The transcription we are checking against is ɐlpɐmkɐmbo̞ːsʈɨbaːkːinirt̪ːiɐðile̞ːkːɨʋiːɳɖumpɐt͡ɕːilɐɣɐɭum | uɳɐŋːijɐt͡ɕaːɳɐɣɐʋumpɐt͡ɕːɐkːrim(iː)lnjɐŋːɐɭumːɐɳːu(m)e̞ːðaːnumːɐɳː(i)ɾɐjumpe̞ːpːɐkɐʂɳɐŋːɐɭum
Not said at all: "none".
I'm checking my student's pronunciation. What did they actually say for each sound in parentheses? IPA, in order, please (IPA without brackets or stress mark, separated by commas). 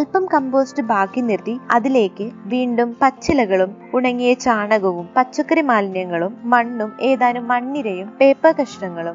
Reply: aː, m, i